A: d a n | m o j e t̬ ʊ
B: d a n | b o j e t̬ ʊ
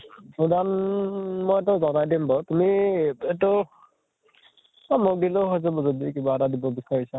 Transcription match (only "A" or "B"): A